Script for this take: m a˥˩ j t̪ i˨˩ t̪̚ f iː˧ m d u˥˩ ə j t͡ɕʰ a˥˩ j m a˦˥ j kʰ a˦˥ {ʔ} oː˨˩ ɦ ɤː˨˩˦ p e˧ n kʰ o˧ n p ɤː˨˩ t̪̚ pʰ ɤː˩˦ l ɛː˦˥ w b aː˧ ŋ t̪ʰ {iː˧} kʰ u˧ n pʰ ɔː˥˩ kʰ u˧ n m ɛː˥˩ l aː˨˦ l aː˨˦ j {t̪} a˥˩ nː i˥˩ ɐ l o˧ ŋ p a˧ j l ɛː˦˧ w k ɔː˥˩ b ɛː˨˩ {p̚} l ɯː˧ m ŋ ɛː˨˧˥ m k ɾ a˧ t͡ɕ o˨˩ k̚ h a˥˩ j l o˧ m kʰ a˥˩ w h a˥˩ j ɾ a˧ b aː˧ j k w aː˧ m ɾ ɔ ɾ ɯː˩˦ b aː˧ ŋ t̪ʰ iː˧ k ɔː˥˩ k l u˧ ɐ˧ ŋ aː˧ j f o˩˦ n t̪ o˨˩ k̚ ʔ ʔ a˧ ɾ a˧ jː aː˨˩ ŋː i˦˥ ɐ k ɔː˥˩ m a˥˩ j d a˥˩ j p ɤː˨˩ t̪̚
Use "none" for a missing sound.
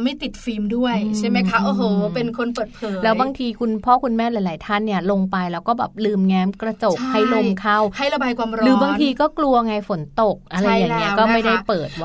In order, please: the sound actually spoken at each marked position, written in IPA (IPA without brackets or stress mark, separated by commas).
ʔ, iː˧, t̪ʰ, p̚